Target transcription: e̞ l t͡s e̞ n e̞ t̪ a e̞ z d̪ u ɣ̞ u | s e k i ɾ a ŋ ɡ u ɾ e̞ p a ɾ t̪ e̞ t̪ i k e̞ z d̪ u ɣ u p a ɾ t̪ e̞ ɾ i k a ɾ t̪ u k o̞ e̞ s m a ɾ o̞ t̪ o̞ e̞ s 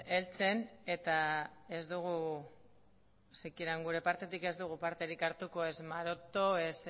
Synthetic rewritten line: e̞ l t͡s e̞ n e̞ t̪ a e̞ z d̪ u ɣ̞ u | s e k i ɾ a ŋ ɡ u ɾ e̞ p a ɾ t̪ e̞ t̪ i k e̞ z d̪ u ɣ u p a ɾ t̪ e̞ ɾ i k a ɾ t̪ u k o̞ e̞ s m a ɾ o̞ t̪ o̞ e̞ s